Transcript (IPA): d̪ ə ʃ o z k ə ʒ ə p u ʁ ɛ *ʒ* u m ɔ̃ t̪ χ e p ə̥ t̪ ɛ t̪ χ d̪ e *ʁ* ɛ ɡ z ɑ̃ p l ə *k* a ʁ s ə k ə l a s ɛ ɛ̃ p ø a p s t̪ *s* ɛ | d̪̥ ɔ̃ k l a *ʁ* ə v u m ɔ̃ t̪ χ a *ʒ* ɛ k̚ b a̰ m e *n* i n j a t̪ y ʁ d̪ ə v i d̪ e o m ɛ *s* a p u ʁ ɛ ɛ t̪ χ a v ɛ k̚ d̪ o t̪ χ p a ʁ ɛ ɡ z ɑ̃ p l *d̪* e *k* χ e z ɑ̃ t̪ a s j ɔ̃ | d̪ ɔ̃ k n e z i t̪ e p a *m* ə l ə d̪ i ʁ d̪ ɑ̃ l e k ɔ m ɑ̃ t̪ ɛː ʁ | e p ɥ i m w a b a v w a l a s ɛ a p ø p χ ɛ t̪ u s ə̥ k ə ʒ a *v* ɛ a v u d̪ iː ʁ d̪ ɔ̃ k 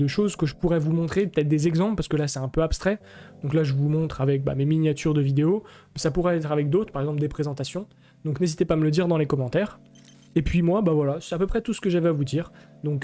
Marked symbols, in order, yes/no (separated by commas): no, no, no, no, no, no, no, yes, yes, no, yes, yes